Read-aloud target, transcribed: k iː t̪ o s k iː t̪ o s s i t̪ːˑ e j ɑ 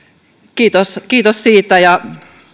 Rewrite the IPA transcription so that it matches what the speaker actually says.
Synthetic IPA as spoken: k iː t̪ o s k iː t̪ o s s iː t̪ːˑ æ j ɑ